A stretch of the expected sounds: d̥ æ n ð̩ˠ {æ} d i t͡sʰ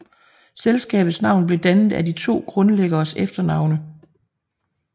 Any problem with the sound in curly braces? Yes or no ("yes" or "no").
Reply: no